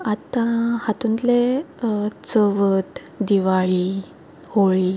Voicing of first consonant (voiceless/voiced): voiceless